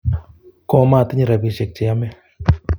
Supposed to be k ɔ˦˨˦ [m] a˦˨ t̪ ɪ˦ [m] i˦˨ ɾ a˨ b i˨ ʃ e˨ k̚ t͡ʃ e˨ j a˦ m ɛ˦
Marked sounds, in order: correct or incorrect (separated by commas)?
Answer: correct, incorrect